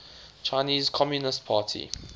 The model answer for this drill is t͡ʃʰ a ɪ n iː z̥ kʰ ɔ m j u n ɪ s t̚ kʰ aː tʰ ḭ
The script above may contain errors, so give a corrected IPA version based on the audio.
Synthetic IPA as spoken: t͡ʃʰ a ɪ n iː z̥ kʰ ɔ m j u n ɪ s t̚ pʰ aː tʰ ḭ